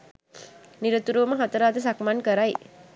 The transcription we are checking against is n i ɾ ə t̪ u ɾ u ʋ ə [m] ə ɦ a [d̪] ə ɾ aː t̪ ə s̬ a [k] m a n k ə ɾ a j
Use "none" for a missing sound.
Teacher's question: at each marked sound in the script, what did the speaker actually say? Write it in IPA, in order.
m, t̪, k

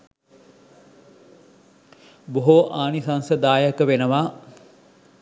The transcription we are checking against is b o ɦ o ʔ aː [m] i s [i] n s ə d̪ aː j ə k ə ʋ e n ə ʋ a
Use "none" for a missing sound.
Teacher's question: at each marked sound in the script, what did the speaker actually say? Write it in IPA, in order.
n, a

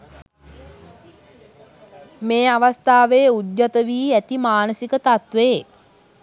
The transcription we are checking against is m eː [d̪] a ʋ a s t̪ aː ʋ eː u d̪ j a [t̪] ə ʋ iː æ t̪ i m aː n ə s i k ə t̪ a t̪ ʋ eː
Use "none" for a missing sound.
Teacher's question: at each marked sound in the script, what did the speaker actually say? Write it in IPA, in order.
none, t̪

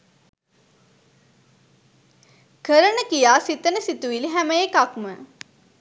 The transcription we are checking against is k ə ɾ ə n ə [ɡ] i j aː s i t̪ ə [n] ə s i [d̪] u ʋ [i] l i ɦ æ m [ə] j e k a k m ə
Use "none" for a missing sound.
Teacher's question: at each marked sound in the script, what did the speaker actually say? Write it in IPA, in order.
k, n, t̪, i, ə

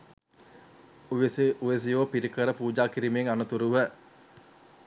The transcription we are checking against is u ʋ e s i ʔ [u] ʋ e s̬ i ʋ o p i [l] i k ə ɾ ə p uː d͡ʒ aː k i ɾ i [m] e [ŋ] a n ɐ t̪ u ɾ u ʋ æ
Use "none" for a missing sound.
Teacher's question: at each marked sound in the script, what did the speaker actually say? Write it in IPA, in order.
u, ɾ, m, ŋ

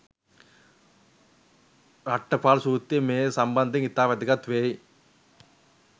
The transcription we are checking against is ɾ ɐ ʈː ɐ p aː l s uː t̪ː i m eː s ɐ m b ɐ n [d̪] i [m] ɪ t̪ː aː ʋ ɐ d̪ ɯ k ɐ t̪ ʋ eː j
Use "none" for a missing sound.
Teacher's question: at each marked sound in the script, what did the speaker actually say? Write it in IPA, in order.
d̪, ŋ

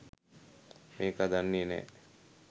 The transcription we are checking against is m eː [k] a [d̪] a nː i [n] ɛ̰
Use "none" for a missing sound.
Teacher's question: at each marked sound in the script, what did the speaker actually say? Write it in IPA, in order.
k, d̪, n

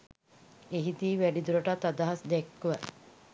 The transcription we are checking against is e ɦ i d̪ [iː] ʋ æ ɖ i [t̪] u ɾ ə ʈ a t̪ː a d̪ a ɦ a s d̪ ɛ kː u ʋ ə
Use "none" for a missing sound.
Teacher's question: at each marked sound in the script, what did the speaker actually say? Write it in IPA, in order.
iː, d̪

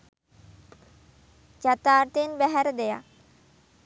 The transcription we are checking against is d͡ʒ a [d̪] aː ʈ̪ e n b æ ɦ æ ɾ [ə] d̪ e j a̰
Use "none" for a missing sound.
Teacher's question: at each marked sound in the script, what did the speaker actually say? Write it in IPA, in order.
t̪, ə

